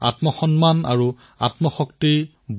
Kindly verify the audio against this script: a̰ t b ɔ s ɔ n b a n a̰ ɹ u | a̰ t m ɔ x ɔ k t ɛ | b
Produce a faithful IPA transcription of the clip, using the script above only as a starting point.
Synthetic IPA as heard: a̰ t m ɔ x ɔ n m a n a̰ ɹ u | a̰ t m ɔ x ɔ k t i | b

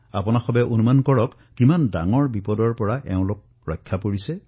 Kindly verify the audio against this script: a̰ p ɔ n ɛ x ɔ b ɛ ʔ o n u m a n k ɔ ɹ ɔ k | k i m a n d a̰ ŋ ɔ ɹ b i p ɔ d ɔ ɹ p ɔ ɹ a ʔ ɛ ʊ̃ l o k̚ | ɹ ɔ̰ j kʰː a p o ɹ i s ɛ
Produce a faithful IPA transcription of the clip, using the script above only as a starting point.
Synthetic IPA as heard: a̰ p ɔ n a x ɔ b ɛ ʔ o n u m a n k ɔ ɹ ɔ k | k i m a n d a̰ ŋ ɔ ɹ b i p ɔ d ɔ ɹ p ɔ ɹ a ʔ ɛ ʊ̃ l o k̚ | ɹ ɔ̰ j kʰː a p o ɹ i s ɛ

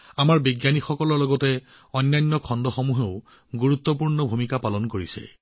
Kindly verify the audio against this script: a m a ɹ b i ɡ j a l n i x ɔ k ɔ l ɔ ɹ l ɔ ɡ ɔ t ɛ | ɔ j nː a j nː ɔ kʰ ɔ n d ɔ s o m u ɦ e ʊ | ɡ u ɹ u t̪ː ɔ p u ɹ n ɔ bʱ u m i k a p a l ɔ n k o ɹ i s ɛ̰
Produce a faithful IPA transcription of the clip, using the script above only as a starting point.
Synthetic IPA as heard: a m a ɹ b i ɡ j a n i x ɔ k ɔ l ɔ ɹ l ɔ ɡ ɔ t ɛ | ɔ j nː a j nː ɔ kʰ ɔ n d ɔ x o m u ɦ e ʊ | ɡ u ɹ u t̪ː ɔ p u ɹ n ɔ bʱ u m i k a p a l ɔ n k o ɹ i s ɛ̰

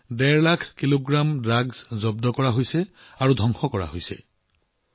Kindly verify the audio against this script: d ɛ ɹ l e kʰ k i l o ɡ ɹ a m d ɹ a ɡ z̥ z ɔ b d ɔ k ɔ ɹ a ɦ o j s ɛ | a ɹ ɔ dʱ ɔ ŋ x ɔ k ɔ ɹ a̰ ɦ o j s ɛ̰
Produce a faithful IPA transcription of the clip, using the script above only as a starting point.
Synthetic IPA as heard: d ɛ ɹ l a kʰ k i l o ɡ ɹ a m d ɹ a ɡ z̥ z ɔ b d ɔ k ɔ ɹ a ɦ o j s ɛ | a ɹ u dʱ ɔ ŋ x ɔ k ɔ ɹ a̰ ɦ o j s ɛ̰

